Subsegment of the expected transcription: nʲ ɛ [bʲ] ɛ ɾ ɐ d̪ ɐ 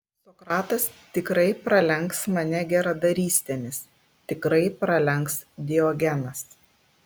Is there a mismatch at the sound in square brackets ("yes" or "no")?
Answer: yes